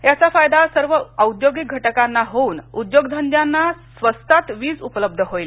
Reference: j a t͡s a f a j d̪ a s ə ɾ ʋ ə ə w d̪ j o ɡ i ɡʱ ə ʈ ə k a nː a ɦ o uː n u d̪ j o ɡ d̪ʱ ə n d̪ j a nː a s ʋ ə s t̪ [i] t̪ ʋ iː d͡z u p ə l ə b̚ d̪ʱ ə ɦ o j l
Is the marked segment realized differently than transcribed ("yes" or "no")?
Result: yes